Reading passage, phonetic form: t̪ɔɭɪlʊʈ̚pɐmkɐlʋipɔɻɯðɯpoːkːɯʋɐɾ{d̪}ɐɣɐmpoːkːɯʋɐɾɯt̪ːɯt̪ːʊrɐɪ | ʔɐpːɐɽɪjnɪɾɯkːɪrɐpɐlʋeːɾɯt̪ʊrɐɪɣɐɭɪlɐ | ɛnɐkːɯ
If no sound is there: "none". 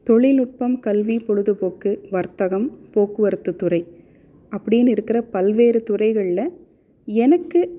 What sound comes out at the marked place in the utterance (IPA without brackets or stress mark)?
t̪